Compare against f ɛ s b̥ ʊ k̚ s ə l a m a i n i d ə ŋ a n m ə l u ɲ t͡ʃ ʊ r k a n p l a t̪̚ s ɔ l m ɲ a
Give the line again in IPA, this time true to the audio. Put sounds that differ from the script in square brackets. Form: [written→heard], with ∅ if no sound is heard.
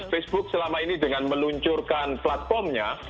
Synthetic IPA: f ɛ s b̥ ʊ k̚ s ə l a m a i n i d ə ŋ a n m ə l u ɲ t͡ʃ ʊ r k a n p l a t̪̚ [s→f] ɔ [l→r] m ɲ a